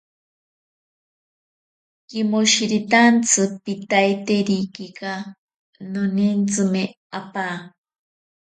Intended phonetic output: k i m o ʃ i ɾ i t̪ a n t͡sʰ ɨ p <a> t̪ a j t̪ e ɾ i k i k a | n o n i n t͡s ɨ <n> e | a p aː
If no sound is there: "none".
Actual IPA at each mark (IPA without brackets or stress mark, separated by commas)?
i, m